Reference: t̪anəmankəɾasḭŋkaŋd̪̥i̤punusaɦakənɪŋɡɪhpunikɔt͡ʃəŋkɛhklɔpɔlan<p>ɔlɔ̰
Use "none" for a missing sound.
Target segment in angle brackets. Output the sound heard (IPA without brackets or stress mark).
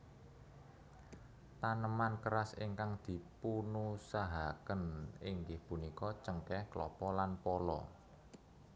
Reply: p